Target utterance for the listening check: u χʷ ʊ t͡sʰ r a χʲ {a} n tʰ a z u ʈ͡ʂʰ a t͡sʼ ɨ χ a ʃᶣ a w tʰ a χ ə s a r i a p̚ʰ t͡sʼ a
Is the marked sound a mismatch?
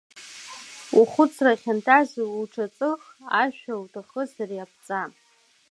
no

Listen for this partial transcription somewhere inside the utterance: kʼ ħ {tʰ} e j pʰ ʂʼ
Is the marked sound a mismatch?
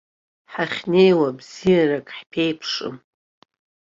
yes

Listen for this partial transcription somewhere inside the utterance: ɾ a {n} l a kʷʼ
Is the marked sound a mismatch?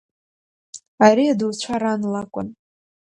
no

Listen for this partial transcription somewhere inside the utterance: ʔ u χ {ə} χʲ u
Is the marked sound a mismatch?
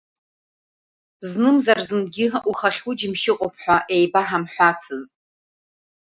yes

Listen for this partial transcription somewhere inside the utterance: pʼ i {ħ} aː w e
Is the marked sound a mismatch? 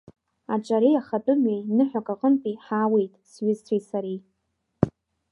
no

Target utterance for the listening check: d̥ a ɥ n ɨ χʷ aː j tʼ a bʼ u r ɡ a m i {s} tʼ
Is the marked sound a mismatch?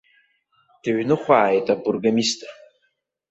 no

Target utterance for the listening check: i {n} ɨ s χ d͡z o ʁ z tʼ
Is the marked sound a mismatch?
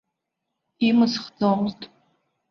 yes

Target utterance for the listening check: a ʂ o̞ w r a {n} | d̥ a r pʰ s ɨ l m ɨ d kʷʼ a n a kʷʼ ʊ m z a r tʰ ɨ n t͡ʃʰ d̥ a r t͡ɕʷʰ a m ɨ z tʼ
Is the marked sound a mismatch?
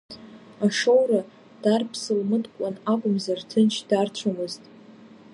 yes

